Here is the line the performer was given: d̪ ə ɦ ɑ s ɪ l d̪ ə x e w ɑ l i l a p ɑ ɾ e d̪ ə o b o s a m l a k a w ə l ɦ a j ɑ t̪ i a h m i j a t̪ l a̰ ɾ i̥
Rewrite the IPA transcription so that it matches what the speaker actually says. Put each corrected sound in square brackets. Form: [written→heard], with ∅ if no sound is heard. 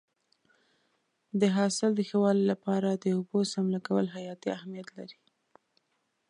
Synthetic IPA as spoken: d̪ ə ɦ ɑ s ɪ l d̪ ə x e w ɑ l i l a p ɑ ɾ [e→a] d̪ ə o b o s a m l a k a w ə l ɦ a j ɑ t̪ i a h m i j a t̪ l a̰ ɾ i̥